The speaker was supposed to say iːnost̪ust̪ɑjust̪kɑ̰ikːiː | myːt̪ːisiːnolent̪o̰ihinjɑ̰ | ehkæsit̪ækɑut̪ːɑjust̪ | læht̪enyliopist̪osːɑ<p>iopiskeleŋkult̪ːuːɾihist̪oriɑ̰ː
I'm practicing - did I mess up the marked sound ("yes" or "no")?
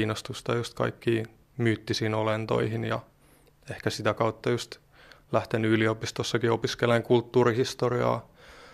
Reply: yes